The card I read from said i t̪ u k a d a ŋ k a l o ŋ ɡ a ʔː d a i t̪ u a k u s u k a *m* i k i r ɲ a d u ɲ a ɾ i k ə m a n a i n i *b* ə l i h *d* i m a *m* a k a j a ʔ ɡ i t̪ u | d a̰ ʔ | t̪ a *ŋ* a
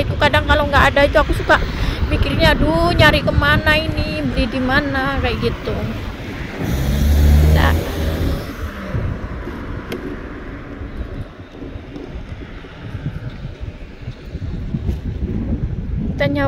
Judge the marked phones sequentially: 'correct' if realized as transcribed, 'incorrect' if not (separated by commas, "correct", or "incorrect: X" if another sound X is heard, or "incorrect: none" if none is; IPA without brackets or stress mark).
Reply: correct, correct, correct, incorrect: n, incorrect: ɲ